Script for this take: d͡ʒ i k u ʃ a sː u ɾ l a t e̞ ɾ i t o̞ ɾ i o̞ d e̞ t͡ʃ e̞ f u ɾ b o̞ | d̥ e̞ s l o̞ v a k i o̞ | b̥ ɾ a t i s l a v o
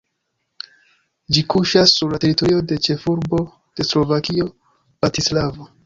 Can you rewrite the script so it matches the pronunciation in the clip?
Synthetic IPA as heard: d͡ʒ i k u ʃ a sː u ɾ l a t e̞ ɾ i t o̞ ɾ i o̞ d e̞ t͡ʃ e̞ f u ɾ b o̞ | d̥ e̞ s l o̞ v a k i o̞ | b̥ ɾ a t i s l a v o